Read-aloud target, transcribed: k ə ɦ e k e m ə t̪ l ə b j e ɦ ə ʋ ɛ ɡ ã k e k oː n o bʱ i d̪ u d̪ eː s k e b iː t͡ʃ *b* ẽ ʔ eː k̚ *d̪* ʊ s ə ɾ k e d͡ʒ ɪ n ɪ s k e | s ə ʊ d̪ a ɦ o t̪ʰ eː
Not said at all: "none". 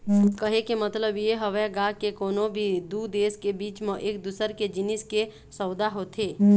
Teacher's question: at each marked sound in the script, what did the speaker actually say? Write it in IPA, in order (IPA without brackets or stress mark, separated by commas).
m, d̪